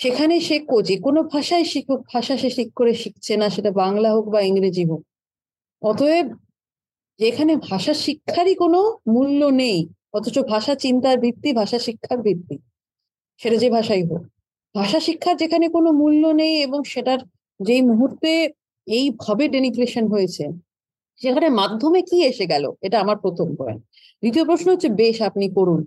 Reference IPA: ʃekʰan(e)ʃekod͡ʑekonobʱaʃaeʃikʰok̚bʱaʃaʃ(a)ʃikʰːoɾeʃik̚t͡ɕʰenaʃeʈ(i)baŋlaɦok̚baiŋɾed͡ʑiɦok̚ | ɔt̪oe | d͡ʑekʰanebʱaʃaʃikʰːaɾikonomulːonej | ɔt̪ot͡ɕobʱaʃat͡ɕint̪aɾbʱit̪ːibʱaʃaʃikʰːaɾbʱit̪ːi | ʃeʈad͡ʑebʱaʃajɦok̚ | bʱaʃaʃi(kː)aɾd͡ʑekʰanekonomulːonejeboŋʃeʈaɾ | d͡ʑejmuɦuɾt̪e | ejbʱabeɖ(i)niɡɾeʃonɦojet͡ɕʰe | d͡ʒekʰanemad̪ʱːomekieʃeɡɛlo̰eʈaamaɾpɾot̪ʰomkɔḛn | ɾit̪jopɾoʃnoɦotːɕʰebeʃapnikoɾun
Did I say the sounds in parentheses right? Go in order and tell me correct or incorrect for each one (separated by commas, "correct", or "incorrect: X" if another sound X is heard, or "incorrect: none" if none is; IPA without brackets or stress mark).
correct, incorrect: e, incorrect: a, incorrect: kʰː, incorrect: e